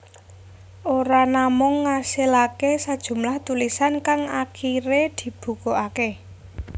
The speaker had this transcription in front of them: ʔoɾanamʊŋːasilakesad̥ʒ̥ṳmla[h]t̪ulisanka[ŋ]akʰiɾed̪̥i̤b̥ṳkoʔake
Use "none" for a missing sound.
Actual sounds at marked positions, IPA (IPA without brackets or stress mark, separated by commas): h, ŋ